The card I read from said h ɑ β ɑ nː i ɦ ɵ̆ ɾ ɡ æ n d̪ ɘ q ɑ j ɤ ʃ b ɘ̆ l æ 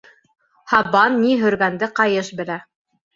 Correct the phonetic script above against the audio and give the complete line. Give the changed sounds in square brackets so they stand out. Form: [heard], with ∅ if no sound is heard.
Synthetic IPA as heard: h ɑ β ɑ nː i ɦ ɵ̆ ɾ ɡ æ n d̪ ɘ q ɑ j ɤ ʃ b ɘ̆ l æ